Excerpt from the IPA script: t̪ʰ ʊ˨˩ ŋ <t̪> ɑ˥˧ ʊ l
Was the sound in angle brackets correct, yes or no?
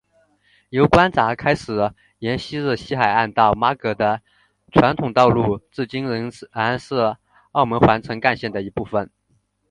yes